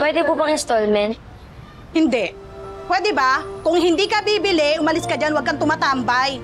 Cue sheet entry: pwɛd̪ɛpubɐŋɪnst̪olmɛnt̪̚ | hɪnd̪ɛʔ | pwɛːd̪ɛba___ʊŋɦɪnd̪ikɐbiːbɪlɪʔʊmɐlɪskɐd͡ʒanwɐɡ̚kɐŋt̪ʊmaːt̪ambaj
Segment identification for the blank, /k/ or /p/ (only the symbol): k